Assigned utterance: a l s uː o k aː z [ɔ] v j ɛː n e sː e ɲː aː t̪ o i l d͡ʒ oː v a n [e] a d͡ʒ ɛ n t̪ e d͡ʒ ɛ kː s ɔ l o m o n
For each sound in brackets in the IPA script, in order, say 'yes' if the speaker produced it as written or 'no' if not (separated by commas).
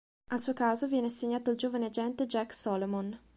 no, yes